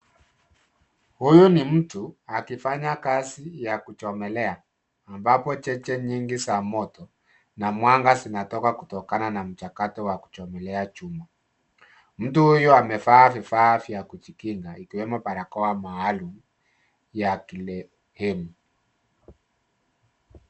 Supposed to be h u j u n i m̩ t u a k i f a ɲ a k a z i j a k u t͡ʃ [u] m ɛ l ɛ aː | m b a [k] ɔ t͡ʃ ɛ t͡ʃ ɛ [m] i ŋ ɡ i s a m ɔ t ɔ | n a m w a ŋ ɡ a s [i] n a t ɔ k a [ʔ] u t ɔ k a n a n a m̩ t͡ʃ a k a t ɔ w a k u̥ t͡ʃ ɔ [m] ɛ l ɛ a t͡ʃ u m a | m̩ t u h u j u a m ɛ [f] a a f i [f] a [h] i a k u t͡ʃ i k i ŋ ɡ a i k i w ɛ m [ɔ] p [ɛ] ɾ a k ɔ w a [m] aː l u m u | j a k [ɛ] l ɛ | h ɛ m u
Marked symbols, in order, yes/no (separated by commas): no, no, no, yes, no, yes, yes, yes, no, yes, no, yes, no